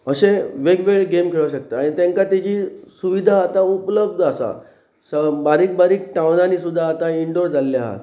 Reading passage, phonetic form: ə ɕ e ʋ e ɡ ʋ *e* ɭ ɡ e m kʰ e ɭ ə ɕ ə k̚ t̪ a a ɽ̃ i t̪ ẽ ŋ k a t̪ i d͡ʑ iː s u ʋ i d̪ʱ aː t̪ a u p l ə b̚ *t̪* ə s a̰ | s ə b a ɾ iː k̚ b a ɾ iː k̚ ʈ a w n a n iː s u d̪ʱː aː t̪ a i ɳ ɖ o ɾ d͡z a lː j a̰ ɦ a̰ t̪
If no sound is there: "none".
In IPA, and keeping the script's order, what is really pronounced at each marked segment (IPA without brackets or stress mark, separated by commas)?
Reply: e, d̪